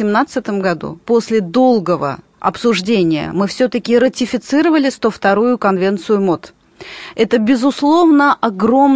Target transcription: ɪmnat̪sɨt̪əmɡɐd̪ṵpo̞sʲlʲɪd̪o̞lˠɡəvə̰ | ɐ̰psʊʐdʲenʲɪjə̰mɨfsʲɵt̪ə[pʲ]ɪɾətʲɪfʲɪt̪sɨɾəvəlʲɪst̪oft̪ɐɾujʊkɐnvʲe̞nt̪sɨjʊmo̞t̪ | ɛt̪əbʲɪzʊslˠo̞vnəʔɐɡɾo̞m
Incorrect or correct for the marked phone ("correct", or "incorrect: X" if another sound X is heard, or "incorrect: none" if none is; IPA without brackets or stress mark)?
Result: incorrect: kʲ